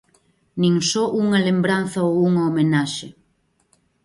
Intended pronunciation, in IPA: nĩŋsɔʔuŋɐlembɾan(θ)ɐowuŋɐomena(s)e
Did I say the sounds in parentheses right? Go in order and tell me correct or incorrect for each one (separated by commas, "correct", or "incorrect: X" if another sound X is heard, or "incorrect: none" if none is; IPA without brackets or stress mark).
correct, incorrect: ʃ